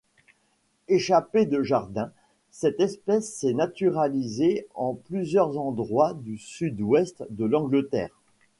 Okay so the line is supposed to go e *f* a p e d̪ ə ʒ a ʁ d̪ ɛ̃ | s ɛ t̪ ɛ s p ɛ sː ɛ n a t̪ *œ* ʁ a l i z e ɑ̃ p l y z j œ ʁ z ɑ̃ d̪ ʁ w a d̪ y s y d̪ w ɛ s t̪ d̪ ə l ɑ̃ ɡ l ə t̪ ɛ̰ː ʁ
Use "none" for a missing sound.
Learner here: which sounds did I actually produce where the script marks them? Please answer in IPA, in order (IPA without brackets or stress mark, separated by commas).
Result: ʃ, y